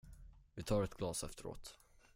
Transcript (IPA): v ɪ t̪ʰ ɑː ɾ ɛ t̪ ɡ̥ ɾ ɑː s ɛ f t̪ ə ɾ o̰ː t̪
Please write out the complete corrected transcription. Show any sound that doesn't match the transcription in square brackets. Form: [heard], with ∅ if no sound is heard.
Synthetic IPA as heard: v ɪ t̪ʰ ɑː ɾ ɛ t̪ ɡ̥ [l] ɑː s ɛ f t̪ ə ɾ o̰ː t̪